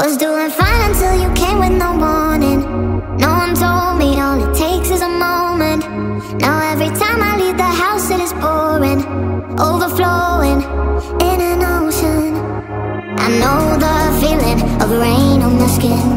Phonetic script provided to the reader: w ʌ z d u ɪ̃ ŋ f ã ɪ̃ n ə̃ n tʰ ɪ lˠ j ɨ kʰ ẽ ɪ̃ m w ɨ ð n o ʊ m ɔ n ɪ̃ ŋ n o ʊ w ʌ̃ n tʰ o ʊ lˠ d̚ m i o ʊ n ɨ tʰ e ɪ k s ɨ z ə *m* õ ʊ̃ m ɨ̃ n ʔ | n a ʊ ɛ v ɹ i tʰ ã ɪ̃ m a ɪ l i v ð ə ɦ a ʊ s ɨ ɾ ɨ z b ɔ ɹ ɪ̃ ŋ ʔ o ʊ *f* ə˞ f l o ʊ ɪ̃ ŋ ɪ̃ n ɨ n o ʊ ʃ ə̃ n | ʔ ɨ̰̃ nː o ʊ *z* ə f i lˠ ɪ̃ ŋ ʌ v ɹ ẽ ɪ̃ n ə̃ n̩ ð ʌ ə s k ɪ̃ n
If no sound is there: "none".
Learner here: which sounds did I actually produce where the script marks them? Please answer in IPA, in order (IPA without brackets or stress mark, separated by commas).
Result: m, v, ð